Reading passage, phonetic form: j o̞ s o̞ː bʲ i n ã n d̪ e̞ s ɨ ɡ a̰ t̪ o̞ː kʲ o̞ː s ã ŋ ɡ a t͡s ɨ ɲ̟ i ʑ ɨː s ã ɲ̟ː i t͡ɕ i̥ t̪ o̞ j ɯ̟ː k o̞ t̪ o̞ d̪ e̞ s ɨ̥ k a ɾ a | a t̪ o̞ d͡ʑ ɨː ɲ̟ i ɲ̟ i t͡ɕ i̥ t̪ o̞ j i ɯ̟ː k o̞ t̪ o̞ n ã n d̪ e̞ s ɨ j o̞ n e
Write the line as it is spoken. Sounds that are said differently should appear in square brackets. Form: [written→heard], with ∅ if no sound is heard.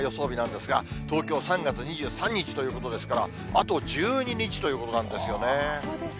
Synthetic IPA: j o̞ s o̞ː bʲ i n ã n d̪ e̞ s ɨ ɡ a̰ t̪ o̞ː kʲ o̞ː s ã ŋ ɡ a t͡s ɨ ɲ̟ i ʑ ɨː s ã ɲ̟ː i t͡ɕ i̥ t̪ o̞ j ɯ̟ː k o̞ t̪ o̞ d̪ e̞ s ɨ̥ k a ɾ a | a t̪ o̞ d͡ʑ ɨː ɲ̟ i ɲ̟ i t͡ɕ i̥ t̪ o̞ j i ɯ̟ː k o̞ t̪ o̞ n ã n d̪ e̞ s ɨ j o̞ n e